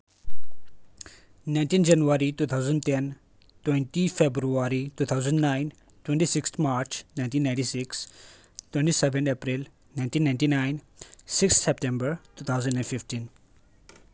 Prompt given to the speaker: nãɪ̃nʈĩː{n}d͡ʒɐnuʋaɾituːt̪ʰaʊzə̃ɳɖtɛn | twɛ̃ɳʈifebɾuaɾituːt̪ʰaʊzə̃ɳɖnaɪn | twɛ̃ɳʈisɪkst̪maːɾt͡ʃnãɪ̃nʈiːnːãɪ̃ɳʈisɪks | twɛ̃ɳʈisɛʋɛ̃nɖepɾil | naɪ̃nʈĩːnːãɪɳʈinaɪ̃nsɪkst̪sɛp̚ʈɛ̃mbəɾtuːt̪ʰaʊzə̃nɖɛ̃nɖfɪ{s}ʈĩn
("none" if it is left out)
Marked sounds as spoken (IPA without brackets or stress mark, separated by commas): n, f